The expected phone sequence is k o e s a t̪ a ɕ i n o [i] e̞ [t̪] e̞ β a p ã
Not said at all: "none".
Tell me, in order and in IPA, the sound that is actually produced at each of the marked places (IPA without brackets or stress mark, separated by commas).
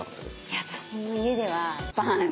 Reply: i, d̪